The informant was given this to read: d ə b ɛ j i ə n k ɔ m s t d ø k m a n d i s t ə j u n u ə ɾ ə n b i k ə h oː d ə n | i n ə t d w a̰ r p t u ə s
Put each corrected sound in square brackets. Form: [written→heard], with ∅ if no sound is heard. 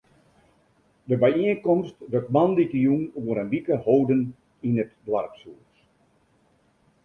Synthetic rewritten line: d ə b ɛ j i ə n k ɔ m s t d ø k m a n d i [s→∅] t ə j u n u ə ɾ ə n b i k ə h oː d ə n | i n ə t d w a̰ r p [t→s] u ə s